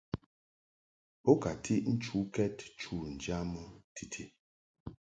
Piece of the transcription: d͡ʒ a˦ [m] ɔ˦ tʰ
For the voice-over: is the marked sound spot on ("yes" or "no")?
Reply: yes